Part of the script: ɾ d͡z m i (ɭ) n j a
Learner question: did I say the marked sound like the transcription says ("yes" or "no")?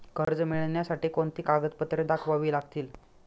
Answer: yes